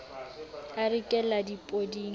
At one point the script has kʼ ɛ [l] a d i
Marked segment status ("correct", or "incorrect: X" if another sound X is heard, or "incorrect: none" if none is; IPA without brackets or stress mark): correct